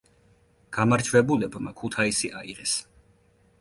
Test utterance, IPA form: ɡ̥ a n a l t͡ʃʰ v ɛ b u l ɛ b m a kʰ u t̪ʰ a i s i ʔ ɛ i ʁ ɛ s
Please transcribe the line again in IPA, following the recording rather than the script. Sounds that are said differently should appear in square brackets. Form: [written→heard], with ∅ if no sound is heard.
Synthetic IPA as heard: ɡ̥ a [n→m] a [l→ɾ] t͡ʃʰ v ɛ b u l ɛ b m a kʰ u t̪ʰ a i s i ʔ [ɛ→a] i ʁ ɛ s